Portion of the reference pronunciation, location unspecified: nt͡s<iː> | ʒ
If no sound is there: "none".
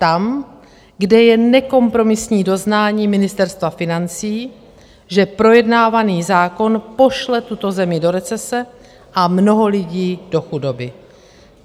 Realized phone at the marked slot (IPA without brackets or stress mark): iː